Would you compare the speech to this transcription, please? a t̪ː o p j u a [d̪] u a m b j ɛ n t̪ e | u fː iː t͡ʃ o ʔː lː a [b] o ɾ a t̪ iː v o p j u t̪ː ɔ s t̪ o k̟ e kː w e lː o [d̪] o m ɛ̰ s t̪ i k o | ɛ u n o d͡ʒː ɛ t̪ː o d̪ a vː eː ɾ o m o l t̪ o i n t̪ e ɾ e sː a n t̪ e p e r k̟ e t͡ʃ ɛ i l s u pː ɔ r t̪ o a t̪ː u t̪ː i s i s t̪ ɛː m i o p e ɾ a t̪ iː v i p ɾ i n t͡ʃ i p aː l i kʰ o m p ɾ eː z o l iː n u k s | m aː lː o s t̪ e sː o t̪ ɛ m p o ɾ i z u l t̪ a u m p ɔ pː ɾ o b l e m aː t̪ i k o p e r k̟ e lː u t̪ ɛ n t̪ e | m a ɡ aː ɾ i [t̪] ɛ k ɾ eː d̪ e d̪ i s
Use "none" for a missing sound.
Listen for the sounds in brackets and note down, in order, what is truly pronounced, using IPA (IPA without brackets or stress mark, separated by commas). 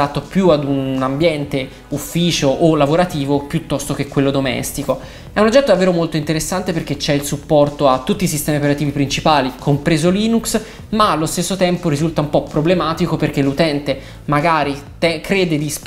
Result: d̪, v, d̪, t̪